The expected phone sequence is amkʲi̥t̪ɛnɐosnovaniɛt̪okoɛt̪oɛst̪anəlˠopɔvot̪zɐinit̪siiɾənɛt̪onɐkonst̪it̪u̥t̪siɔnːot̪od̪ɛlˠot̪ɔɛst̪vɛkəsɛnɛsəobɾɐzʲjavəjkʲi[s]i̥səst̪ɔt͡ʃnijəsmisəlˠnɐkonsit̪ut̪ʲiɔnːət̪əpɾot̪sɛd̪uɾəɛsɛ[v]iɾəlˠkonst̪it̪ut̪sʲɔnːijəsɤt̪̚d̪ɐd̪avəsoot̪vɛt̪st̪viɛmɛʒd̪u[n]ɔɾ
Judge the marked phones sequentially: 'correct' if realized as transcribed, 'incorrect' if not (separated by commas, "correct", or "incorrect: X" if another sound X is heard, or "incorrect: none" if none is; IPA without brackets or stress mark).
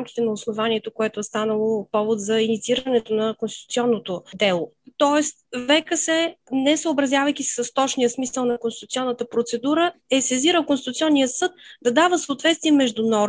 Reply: correct, incorrect: z, correct